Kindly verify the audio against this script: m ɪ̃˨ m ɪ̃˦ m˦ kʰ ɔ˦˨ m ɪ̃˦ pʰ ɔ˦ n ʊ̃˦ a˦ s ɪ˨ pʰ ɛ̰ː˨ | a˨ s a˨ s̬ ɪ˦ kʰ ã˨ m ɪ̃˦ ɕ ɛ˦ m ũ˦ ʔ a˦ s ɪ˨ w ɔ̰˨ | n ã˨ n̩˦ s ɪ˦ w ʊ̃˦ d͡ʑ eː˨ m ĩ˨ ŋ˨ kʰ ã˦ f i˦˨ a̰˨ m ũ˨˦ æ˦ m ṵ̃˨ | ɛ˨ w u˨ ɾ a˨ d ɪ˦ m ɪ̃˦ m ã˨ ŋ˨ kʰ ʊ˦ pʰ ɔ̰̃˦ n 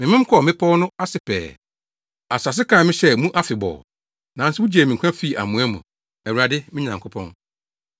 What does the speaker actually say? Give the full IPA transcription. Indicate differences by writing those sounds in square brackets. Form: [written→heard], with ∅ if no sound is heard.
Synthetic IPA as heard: m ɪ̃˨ m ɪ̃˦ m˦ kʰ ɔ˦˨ m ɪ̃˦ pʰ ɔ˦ n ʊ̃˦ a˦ s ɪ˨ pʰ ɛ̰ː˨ | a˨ s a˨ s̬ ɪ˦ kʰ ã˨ m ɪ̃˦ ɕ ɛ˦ m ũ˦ ʔ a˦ [s→f] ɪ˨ [w→b] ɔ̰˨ | n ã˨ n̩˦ s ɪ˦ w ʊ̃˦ d͡ʑ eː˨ m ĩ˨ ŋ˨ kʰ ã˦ f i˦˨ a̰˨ m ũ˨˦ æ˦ m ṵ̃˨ | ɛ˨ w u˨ ɾ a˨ d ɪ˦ m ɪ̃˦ [m→ɲ] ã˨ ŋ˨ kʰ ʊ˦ pʰ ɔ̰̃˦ n

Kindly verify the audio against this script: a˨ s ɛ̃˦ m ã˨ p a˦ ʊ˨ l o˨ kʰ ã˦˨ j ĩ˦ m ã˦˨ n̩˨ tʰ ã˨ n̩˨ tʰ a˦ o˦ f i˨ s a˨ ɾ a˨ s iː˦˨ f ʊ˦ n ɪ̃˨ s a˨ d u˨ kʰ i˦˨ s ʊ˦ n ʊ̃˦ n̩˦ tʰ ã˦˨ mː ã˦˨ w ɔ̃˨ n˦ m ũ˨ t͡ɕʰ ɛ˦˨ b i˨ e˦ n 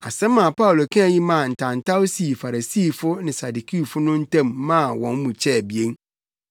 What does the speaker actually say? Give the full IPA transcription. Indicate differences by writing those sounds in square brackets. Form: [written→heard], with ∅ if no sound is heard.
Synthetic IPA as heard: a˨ s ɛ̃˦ m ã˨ p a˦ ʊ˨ l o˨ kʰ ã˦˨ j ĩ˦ m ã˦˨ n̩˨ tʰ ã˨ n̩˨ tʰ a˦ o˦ [f→s] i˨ [s→f] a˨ ɾ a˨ s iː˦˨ f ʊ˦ n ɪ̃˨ s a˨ d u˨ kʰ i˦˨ [s→f] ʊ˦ n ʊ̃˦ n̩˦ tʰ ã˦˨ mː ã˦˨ w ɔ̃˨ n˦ m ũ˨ t͡ɕʰ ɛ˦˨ b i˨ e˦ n

